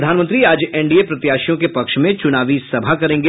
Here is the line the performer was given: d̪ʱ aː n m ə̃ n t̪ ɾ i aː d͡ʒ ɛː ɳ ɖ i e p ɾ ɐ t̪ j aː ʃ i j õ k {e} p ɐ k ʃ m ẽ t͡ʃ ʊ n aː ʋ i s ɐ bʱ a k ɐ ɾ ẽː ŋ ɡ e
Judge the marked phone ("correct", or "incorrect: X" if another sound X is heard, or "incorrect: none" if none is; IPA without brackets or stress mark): correct